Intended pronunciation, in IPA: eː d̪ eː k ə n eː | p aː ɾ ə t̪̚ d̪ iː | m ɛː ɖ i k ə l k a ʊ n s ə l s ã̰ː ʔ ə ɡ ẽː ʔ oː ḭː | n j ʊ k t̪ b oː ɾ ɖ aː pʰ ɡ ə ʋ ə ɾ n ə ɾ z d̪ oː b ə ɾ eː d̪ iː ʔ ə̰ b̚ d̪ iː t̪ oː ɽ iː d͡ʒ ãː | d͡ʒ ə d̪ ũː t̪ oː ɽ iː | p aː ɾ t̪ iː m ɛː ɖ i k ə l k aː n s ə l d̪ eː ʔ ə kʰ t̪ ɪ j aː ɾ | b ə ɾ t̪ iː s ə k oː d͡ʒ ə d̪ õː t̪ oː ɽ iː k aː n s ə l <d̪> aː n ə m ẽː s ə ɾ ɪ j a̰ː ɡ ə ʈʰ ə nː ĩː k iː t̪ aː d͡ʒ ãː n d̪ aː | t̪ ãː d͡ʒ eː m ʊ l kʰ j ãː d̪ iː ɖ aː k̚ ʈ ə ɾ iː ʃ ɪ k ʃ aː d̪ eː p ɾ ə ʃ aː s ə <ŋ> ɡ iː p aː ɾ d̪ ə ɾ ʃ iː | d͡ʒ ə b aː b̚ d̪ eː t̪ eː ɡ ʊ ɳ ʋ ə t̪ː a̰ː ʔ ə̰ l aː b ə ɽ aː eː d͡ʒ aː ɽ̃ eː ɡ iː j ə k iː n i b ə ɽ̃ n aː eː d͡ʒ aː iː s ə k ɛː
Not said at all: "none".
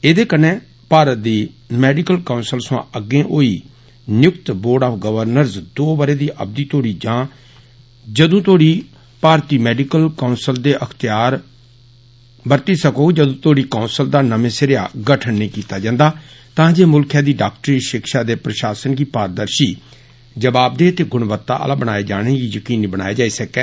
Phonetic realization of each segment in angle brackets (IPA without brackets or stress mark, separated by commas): d̪, n